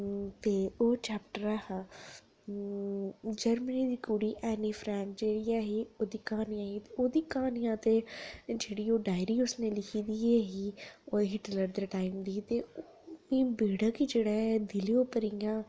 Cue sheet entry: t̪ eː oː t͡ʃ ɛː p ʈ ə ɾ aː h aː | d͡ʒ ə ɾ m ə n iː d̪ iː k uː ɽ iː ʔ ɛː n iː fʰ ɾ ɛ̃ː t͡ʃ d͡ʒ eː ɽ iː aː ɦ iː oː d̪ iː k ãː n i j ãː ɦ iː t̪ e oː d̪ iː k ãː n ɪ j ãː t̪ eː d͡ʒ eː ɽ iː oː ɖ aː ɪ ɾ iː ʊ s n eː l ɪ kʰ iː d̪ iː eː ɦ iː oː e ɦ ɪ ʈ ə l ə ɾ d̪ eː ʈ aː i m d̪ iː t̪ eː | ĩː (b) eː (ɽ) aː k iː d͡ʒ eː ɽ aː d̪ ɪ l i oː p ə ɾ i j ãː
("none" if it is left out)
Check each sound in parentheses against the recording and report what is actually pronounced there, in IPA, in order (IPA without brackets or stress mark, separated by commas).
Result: b, ɽ